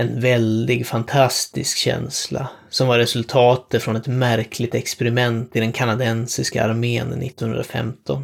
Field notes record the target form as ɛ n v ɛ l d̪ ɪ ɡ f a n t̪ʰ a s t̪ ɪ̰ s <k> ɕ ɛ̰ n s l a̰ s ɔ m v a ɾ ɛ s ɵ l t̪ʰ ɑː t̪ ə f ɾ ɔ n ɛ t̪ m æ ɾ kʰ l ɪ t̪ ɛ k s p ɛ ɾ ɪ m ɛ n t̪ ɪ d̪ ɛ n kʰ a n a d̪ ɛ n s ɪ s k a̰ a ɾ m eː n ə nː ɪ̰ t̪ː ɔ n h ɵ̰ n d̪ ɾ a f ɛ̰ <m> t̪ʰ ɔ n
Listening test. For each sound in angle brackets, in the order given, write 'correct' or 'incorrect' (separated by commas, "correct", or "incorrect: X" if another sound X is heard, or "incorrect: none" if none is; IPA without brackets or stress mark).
correct, correct